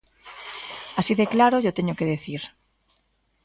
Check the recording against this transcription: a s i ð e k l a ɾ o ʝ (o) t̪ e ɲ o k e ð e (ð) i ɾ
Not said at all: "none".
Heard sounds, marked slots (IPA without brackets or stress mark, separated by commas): o, θ